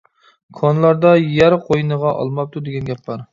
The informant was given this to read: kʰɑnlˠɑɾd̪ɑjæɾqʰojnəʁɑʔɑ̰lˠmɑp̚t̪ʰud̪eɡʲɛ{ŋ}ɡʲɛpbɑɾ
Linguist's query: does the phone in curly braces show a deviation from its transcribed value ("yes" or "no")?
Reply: yes